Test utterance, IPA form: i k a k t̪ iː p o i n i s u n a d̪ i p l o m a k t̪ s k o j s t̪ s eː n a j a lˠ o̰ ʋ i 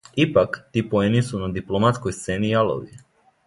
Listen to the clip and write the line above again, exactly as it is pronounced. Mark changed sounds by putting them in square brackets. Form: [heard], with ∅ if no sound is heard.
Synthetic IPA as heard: i [p] a k t̪ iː p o [e] n i s u n a d̪ i p l o m a [∅] t̪ s k o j s t̪ s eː n [i] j a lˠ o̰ ʋ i

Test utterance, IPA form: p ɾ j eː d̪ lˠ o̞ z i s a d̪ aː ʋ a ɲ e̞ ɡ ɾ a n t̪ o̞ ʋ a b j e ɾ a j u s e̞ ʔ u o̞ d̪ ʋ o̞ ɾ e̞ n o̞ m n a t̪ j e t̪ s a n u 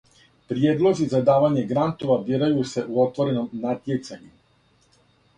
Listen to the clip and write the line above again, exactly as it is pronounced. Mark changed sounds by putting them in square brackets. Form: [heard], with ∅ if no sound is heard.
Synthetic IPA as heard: p ɾ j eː d̪ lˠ o̞ z i [z] a d̪ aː ʋ a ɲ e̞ ɡ ɾ a n t̪ o̞ ʋ a b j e ɾ a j u s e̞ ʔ u o̞ [t̪] ʋ o̞ ɾ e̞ n o̞ m n a t̪ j e t̪ s a [ɲ] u

